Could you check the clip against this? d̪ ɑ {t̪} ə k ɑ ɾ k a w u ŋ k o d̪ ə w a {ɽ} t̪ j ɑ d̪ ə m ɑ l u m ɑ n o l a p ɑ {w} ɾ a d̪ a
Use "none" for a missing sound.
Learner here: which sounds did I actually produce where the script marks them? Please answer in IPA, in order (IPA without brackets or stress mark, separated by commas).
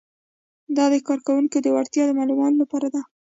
d̪, ɾ, none